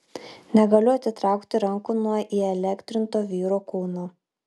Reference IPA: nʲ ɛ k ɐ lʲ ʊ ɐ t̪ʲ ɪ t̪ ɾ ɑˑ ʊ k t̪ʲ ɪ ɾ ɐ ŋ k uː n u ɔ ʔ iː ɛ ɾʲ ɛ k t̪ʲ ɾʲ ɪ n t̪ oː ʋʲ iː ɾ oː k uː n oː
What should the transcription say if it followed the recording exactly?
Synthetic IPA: nʲ ɛ ɡ ɐ lʲ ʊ ɐ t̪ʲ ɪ t̪ ɾ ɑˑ ʊ k t̪ʲ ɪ ɾ ɐ ŋ k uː n u ɔ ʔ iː ɛ lʲ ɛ k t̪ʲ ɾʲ ɪ n t̪ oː ʋʲ iː ɾ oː k uː n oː